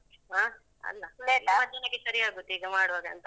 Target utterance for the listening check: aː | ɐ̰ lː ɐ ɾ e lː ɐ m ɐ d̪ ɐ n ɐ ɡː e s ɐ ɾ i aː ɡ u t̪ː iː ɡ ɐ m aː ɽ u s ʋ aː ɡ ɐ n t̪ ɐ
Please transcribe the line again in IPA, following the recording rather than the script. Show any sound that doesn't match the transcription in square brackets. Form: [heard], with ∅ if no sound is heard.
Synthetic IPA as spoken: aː | ɐ̰ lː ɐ [l] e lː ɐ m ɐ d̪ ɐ n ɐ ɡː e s ɐ ɾ i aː ɡ u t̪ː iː ɡ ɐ m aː ɽ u [∅] ʋ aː ɡ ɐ n t̪ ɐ